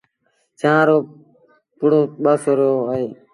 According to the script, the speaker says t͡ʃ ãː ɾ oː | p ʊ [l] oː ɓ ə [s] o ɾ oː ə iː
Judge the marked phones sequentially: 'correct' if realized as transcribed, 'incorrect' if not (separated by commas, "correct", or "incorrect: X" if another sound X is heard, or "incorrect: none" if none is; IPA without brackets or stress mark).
incorrect: ɽ, correct